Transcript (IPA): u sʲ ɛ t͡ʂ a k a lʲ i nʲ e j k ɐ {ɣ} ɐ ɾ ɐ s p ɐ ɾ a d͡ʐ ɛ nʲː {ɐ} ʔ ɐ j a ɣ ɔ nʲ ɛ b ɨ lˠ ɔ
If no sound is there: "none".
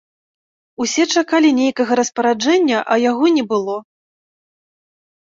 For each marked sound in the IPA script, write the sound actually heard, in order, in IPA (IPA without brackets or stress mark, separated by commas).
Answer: ɣ, ɐ